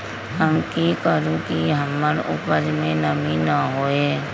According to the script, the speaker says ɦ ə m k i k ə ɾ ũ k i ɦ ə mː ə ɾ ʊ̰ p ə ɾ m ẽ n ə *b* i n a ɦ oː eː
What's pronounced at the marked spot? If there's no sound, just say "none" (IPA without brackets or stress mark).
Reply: m